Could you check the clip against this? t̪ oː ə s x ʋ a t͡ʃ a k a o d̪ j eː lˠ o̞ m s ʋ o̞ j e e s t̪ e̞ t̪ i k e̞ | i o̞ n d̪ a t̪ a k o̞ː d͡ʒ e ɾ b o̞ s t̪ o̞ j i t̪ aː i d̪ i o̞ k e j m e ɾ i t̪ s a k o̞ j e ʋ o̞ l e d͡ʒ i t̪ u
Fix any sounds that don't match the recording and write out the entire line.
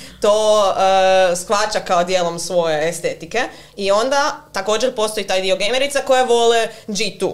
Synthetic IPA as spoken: t̪ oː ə s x ʋ a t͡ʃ a k a o d̪ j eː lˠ o̞ m s ʋ o̞ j e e s t̪ e̞ t̪ i k e̞ | i o̞ n d̪ a t̪ a k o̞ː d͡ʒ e ɾ p o̞ s t̪ o̞ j i t̪ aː j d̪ i o̞ ɡ e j m e ɾ i t̪ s a k o̞ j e ʋ o̞ l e d͡ʒ i t̪ u